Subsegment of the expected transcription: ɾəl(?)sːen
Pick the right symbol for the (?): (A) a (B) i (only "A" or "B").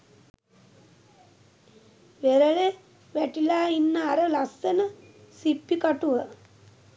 A